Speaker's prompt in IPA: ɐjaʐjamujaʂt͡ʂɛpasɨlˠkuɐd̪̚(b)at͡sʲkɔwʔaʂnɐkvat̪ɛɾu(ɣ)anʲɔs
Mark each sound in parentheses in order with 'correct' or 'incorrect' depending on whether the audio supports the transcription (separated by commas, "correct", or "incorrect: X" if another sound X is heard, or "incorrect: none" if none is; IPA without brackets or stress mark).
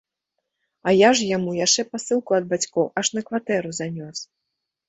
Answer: correct, incorrect: z